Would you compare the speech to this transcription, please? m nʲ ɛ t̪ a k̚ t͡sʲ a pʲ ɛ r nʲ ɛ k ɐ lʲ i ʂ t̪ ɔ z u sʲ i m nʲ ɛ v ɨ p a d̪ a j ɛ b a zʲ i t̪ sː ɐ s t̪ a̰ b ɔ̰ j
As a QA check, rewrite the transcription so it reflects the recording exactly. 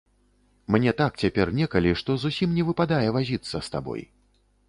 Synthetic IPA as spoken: m nʲ ɛ t̪ a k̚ t͡sʲ a pʲ ɛ r nʲ ɛ k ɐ lʲ i ʂ t̪ ɔ z u sʲ i m nʲ ɛ v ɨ p a d̪ a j ɛ v a zʲ i t̪ sː ɐ s t̪ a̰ b ɔ̰ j